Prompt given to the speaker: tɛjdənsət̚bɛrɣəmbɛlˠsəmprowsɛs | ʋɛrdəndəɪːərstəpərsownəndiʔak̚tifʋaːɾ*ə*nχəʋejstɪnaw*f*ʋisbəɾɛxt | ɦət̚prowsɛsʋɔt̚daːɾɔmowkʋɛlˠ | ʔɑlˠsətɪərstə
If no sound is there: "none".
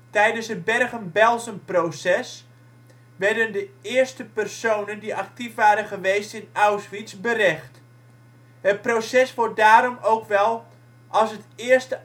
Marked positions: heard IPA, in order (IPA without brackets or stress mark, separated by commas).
ə, s